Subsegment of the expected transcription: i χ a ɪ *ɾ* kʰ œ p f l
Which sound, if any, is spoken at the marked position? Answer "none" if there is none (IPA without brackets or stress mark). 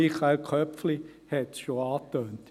l